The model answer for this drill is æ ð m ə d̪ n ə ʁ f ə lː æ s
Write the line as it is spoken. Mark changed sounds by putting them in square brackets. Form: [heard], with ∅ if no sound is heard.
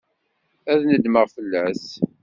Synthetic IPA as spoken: æ ð [n] ə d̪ [m] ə ʁ f ə lː æ s